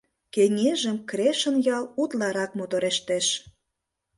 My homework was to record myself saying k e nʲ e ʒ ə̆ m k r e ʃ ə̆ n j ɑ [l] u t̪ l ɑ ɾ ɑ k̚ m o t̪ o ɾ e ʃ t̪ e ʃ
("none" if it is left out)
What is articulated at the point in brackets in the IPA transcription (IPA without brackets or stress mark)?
l